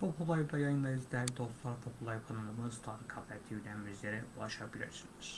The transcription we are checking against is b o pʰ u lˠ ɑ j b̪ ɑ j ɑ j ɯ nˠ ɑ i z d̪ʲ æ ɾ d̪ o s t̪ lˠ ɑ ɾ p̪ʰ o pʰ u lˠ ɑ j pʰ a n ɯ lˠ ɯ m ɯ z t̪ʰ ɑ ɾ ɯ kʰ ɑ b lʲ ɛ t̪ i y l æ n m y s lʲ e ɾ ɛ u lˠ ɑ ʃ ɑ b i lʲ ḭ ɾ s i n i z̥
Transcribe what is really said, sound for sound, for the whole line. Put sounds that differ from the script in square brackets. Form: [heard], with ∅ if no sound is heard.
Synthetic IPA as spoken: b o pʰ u lˠ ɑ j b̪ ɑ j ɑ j ɯ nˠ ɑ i z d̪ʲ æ ɾ d̪ o s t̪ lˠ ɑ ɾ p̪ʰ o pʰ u lˠ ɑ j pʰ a n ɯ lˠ ɯ m ɯ z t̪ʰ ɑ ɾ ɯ kʰ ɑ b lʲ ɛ [t̪ʰ] i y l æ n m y [z] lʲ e ɾ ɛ u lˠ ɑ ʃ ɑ b i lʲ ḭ ɾ s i n i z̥